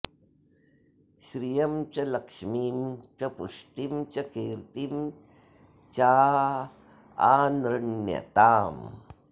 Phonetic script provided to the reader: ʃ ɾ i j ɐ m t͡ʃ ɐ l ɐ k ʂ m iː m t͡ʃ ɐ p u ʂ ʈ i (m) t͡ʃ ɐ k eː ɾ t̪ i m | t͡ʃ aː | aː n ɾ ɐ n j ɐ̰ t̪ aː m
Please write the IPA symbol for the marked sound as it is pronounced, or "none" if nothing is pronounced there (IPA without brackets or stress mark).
m